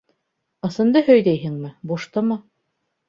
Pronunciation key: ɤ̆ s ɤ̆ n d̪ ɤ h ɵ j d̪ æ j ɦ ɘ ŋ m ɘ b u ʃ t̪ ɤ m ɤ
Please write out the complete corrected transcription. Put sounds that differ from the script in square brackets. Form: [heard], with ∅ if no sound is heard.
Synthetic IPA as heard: ɤ̆ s ɤ̆ n d̪ ɤ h ɵ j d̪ æ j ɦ ɘ ŋ m ɘ b u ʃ t̪ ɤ m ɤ